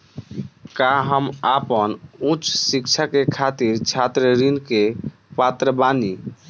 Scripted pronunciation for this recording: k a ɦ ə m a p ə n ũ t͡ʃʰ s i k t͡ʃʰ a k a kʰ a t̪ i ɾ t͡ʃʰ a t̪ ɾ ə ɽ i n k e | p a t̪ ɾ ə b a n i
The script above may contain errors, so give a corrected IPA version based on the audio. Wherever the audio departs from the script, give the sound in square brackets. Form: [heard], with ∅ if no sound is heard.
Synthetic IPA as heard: k a ɦ ə m a p ə n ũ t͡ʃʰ s i k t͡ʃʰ a k [e] kʰ a t̪ i ɾ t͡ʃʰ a t̪ ɾ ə [ɾ] i n k e | p a t̪ ɾ ə b a n i